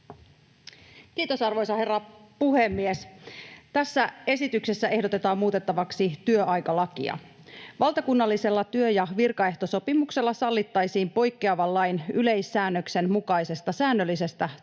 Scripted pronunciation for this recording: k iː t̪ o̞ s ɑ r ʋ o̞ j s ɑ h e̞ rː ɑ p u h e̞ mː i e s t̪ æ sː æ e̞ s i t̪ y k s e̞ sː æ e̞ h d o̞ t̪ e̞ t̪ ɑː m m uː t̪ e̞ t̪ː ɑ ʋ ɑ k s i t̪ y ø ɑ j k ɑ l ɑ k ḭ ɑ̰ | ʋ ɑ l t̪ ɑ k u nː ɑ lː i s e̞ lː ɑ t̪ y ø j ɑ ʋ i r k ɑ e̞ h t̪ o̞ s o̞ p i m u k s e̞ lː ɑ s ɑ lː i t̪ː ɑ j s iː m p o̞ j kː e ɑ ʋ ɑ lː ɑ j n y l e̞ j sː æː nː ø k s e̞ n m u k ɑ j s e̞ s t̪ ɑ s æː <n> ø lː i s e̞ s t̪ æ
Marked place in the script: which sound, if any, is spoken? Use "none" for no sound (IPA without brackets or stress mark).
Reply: nː